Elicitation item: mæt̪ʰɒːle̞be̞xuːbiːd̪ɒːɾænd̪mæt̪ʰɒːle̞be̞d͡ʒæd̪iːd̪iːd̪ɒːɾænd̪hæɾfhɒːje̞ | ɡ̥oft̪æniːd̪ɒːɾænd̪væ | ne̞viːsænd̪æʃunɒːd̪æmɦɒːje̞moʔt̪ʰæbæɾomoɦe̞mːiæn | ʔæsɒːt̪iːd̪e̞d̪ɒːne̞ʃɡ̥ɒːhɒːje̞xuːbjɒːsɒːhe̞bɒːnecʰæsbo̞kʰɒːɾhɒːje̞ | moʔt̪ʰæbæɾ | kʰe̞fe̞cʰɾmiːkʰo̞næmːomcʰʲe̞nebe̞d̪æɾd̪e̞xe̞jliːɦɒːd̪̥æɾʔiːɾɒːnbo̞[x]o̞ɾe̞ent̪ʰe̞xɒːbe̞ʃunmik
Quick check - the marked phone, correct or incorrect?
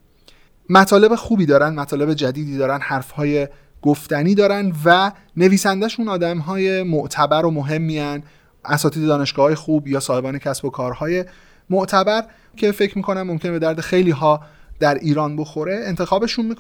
correct